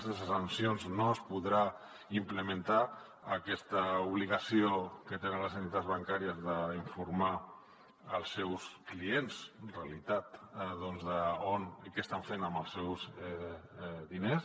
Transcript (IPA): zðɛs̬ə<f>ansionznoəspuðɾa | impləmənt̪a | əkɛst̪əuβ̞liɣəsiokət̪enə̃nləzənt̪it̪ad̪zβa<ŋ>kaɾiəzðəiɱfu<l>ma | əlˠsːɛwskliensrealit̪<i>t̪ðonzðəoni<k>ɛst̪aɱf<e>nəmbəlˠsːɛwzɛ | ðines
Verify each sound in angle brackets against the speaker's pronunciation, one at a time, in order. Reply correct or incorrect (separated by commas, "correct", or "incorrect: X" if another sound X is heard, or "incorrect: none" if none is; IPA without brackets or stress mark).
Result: incorrect: s, correct, incorrect: ɾ, incorrect: a, correct, correct